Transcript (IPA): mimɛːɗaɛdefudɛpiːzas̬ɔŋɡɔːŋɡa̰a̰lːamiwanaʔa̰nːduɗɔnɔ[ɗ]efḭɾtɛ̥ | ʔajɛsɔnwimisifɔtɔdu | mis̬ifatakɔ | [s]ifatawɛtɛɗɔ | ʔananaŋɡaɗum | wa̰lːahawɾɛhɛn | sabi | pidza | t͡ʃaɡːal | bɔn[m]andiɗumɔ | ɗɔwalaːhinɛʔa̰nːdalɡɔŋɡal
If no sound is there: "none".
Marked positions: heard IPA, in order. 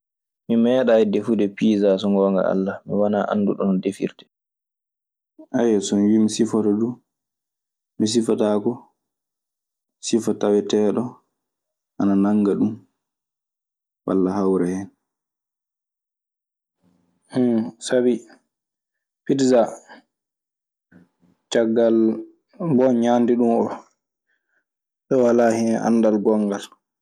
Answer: d, s, ɲ

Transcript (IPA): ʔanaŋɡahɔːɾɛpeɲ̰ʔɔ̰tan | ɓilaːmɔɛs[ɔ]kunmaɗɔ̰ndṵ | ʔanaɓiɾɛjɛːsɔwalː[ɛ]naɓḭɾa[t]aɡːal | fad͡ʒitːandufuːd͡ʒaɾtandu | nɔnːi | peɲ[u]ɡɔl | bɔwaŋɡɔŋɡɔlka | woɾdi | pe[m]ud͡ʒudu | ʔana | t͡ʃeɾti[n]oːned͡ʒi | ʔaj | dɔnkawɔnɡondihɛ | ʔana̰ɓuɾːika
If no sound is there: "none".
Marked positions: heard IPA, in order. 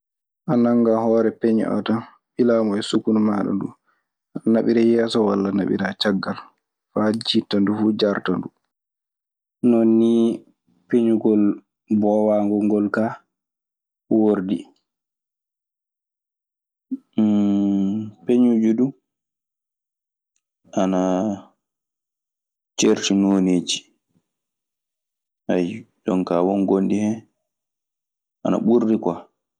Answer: u, a, t͡ʃ, u, ɲ, n

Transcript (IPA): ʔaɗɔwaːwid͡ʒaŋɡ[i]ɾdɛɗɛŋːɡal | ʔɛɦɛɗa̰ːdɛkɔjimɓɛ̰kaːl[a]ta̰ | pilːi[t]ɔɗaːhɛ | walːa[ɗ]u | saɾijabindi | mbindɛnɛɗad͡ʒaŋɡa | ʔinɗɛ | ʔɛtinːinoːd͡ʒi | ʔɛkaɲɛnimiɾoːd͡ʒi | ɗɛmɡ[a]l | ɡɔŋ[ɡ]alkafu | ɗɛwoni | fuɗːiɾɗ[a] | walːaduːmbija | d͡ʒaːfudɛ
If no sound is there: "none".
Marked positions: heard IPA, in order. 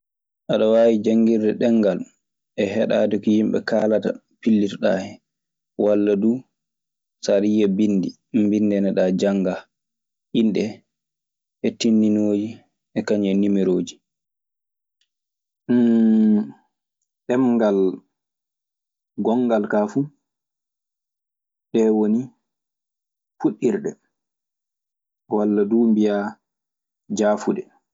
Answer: i, a, t, d, a, ɡ, ɛ

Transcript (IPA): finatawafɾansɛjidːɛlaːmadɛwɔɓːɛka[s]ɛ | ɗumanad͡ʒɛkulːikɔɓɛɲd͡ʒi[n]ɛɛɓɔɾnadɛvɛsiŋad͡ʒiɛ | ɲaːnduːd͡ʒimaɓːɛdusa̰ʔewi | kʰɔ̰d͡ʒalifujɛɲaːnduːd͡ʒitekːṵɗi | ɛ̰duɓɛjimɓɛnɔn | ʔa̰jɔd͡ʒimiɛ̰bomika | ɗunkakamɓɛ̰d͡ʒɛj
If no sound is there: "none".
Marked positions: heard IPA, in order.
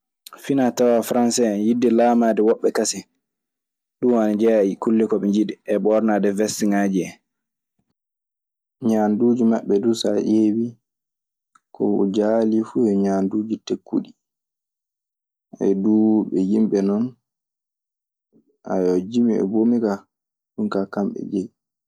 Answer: s, d

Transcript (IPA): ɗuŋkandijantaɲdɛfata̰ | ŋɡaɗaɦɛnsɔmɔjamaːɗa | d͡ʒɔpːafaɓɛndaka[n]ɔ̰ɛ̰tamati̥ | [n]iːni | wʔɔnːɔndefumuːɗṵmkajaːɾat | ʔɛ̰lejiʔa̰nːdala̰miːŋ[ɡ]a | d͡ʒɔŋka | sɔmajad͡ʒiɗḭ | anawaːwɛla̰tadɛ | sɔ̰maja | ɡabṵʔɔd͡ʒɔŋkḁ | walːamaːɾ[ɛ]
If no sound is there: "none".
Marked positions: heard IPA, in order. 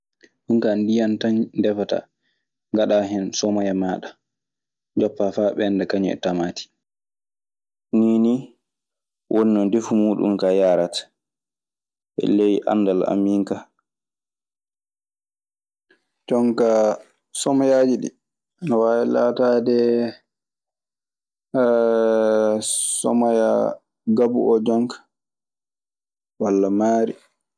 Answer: ɲ, n, k, i

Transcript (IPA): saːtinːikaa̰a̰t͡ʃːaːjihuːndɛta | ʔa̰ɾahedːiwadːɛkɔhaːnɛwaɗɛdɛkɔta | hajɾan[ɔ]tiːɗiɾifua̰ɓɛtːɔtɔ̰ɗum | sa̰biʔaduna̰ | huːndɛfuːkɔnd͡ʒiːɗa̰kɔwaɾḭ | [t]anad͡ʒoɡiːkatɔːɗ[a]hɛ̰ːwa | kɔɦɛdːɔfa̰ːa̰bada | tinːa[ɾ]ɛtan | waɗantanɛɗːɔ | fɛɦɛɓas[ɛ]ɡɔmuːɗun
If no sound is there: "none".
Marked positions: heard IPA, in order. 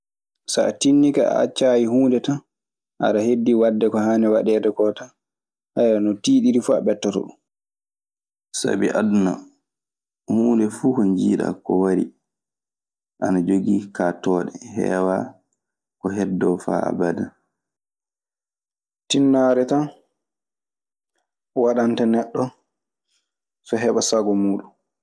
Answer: ɔ, ʔ, ɛ, ɾ, a

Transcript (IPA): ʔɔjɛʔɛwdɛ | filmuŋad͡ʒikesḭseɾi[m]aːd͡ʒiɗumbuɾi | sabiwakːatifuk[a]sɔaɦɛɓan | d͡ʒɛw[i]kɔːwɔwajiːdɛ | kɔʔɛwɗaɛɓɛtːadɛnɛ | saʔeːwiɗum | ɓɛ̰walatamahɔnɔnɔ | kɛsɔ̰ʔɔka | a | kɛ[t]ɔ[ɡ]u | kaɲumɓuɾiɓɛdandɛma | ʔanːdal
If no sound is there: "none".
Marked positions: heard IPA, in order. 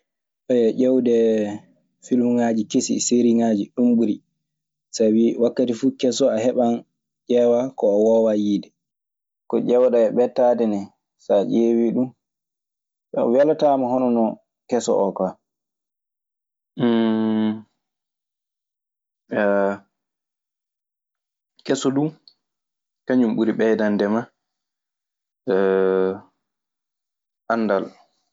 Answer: ŋ, ɛ, a, s, d

